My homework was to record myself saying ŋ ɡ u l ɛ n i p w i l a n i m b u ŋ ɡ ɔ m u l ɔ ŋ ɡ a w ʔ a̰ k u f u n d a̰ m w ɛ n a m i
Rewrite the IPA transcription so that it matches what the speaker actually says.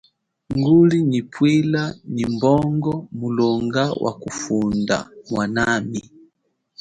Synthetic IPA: ŋ ɡ u l i n i p w i l a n i m b ɔ ŋ ɡ ɔ m u l ɔ ŋ ɡ a w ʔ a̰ k u f u n d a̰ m w a n a m i

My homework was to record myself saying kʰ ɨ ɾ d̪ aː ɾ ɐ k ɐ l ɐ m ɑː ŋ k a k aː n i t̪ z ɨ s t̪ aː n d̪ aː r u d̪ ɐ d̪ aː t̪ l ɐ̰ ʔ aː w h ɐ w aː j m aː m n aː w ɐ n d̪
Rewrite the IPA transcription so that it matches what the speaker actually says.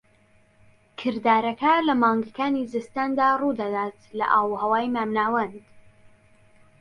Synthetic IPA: kʰ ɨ ɾ d̪ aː ɾ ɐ k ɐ l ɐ m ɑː ŋ ɡ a k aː n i z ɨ s t̪ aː n d̪ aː r u d̪ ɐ d̪ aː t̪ l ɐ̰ ʔ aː w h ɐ w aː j m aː m n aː w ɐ n d̪

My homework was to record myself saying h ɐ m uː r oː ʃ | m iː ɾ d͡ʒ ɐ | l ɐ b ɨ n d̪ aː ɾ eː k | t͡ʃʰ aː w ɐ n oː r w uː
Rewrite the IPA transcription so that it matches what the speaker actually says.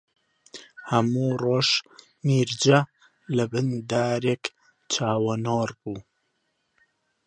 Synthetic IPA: h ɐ m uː r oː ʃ | m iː ɾ d͡ʒ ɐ | l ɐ b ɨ n d̪ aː ɾ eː k | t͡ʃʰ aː w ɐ n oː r b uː

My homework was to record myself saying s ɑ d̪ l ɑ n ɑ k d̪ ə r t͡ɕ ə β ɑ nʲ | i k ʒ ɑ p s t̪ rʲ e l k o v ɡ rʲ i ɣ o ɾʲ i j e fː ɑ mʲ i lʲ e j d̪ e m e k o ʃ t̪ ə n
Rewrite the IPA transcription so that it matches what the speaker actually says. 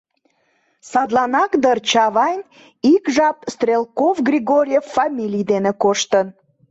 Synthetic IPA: s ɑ d̪ l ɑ n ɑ k d̪ ə r t͡ɕ ɑ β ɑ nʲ | i k ʒ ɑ p s t̪ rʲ e l k o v ɡ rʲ i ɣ o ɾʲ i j e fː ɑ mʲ i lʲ i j d̪ e n e k o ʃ t̪ ə n

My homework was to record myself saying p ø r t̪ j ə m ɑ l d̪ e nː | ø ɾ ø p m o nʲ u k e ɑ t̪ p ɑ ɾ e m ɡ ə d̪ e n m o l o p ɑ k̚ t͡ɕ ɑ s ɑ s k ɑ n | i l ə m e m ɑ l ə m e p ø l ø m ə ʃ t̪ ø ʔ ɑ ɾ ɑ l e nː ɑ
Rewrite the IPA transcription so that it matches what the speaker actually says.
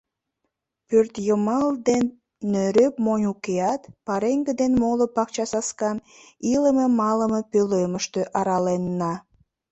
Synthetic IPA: p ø r t̪ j ə m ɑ l d̪ e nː | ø ɾ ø p m o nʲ u k e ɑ t̪ p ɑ ɾ e ŋ ɡ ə d̪ e n m o l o p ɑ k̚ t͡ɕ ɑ s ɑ s k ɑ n | i l ə m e m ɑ l ə m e p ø l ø m ə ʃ t̪ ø ʔ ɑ ɾ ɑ l e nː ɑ

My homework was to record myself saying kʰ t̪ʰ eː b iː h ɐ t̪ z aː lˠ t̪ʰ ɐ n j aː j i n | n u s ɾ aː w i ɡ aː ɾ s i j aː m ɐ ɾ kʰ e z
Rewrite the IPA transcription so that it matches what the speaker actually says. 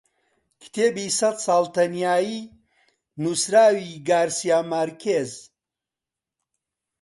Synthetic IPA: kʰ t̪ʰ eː b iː s ɐ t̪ s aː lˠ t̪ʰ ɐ n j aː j i | n u s ɾ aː w i ɡ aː ɾ s i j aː m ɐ ɾ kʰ e z

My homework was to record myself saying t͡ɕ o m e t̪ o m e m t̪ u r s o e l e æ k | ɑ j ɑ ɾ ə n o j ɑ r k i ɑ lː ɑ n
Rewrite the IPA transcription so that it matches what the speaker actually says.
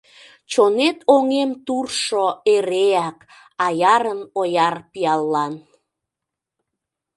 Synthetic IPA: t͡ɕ o n e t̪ o ŋ e m t̪ u r ʃ o e ɾ e æ k | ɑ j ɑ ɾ ə n o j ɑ r p i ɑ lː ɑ n

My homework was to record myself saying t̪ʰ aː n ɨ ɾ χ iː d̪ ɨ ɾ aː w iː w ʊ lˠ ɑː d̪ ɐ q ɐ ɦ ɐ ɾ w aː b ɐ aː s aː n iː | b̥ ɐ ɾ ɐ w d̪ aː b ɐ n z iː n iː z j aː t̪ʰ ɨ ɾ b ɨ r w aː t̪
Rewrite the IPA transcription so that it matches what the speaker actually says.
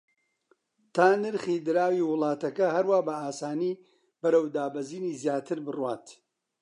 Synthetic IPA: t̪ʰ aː n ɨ ɾ χ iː d̪ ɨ ɾ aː w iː w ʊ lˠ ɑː t̪ ɐ k ɐ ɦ ɐ ɾ w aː b ɐ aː s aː n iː | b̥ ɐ ɾ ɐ w d̪ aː b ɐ z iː n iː z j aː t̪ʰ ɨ ɾ b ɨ r w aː t̪

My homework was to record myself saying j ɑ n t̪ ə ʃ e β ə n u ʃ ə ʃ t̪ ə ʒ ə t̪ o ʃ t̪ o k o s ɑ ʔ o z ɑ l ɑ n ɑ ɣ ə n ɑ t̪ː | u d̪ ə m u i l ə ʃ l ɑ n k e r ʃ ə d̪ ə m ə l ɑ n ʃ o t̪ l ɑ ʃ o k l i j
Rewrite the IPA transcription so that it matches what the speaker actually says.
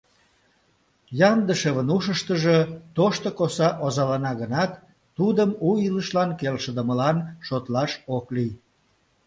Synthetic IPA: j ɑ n d̪ ə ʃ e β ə n u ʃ ə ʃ t̪ ə ʒ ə t̪ o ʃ t̪ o k o s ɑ ʔ o z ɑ l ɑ n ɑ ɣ ə n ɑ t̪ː | u d̪ ə m u i l ə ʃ l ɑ n k e l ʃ ə d̪ ə m ə l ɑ n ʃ o t̪ l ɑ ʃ o k l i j

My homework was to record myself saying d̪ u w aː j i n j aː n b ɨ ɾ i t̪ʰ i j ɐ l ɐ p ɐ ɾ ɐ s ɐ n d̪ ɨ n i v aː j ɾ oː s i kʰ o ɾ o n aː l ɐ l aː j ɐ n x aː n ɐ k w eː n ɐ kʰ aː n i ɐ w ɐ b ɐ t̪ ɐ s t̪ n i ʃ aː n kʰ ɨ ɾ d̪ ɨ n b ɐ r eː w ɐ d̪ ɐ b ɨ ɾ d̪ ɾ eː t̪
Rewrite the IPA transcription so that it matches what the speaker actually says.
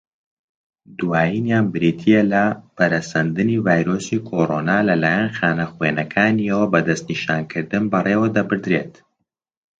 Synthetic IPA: d̪ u w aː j i n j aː n b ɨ ɾ i t̪ʰ i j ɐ l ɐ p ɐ ɾ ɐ s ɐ n d̪ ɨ n i v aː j ɾ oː s i kʰ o ɾ o n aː l ɐ l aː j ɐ n x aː n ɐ x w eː n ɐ kʰ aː n i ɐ w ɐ b ɐ d̪ ɐ s t̪ n i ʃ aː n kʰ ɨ ɾ d̪ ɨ n b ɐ r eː w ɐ d̪ ɐ b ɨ ɾ d̪ ɾ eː t̪

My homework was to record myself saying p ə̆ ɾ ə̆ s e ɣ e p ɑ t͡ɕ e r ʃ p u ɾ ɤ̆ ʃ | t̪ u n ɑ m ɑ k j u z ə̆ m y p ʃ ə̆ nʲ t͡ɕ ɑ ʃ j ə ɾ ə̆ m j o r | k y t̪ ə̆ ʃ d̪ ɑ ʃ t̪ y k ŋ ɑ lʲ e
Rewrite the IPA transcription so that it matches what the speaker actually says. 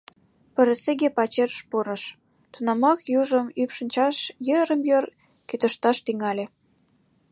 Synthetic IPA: p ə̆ ɾ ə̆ s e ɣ e p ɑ t͡ɕ e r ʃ p u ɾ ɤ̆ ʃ | t̪ u n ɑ m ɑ k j u ʒ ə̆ m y p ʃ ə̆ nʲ t͡ɕ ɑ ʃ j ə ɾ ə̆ m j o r | k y t̪ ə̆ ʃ t̪ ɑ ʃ t̪ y ŋ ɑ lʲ e

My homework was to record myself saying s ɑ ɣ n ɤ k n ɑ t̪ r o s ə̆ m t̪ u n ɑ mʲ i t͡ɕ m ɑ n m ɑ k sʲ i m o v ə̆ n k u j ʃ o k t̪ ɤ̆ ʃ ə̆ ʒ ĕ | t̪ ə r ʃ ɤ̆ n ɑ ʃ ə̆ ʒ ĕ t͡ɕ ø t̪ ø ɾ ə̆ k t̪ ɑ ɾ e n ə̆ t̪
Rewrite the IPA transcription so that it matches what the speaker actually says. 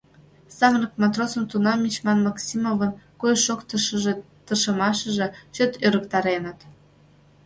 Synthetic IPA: s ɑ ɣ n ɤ k m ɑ t̪ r o s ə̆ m t̪ u n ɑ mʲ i t͡ɕ m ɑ n m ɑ k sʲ i m o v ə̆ n k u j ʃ o k t̪ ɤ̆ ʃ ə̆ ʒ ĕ | t̪ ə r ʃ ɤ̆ m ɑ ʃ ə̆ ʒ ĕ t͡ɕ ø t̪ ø ɾ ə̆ k t̪ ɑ ɾ e n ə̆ t̪

